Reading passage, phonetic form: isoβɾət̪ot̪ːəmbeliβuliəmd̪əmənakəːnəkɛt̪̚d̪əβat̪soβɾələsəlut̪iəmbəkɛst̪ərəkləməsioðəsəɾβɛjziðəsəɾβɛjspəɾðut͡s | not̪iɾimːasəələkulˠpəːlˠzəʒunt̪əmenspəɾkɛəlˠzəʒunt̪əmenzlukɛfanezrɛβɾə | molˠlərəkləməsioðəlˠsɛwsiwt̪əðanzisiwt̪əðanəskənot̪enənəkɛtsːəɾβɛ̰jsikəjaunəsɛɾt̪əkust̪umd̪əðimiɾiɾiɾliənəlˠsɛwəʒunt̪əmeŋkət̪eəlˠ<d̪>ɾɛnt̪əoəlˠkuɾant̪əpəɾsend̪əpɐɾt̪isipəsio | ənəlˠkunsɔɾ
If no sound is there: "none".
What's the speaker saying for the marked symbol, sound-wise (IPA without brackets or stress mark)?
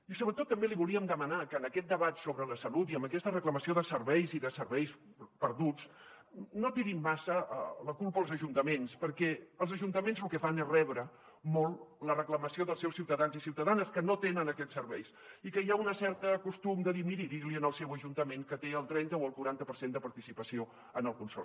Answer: t̪